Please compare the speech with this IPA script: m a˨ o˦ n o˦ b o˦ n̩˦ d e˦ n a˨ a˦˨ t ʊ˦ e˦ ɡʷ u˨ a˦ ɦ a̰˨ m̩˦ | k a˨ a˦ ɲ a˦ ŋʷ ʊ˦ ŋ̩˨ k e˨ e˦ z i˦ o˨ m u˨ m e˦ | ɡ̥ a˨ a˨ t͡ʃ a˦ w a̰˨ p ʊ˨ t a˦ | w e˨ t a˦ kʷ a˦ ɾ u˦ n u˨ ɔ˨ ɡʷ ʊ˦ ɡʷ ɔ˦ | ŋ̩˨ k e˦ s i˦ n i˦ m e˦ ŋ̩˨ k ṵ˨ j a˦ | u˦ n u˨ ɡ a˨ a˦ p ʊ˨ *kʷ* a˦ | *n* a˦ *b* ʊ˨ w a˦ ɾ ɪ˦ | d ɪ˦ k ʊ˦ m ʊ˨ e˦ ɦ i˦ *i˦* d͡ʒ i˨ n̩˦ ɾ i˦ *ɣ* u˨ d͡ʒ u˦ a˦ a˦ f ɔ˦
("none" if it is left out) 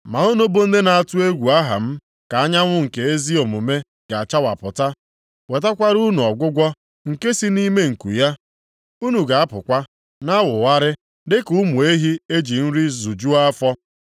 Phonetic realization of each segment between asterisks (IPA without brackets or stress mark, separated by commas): kʷ, n, w, e˦, z